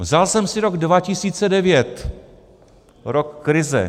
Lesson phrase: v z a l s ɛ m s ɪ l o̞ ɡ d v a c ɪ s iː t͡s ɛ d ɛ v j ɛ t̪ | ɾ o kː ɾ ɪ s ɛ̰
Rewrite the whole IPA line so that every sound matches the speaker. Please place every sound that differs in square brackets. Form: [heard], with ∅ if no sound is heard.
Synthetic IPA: v z a l s ɛ m s ɪ [ɾ] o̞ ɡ d v a c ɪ s iː t͡s ɛ d ɛ v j ɛ t̪ | ɾ o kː ɾ ɪ [z] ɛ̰